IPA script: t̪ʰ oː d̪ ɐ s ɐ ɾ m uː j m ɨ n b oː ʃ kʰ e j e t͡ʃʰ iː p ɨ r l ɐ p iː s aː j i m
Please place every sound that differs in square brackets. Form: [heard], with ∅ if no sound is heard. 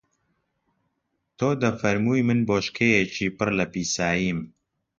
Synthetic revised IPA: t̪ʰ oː d̪ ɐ [f] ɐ ɾ m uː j m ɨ n b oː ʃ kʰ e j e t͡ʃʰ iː p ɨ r l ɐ p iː s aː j i m